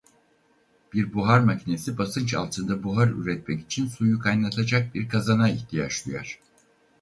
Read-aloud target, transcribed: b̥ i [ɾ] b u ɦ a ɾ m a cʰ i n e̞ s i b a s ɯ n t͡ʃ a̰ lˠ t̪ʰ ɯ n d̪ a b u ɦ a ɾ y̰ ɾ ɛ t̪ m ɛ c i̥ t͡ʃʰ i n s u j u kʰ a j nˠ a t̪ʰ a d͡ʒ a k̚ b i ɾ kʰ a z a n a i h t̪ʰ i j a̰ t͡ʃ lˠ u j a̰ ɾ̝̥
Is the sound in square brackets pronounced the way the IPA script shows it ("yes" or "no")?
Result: yes